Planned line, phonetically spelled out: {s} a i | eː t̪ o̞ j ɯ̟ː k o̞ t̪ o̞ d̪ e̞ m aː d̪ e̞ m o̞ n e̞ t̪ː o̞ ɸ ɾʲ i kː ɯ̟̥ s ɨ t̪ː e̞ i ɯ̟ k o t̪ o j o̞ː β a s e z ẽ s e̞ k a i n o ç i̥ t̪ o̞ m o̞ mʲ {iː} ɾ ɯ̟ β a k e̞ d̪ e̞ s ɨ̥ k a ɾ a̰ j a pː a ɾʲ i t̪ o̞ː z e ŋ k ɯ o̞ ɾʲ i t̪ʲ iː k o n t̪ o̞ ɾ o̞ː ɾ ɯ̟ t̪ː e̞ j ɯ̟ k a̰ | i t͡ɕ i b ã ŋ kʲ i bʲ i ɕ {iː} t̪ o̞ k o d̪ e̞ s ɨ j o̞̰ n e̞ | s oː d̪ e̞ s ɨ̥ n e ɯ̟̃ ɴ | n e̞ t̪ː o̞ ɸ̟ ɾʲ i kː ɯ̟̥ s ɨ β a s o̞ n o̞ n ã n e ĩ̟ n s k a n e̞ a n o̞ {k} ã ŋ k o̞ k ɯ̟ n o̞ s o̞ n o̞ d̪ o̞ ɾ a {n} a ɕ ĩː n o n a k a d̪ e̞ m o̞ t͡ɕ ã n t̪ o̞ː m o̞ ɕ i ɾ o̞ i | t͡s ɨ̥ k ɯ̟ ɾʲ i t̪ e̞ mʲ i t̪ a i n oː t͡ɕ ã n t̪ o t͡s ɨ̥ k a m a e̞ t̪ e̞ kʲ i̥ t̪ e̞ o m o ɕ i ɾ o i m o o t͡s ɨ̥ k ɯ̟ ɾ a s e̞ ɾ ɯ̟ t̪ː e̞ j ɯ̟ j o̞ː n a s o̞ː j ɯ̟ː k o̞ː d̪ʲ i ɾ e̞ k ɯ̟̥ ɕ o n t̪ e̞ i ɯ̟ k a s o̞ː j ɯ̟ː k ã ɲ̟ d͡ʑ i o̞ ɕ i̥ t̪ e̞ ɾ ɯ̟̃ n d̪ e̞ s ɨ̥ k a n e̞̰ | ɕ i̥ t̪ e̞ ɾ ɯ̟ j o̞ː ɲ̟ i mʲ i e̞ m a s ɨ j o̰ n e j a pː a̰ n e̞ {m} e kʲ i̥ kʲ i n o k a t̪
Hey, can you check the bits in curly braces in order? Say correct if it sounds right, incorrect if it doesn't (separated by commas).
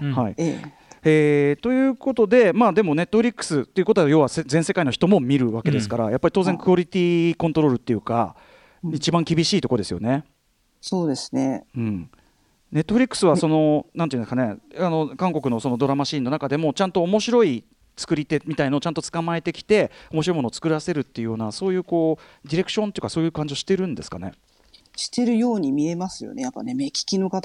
incorrect, incorrect, correct, correct, incorrect, correct